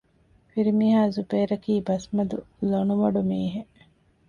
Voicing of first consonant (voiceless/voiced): voiceless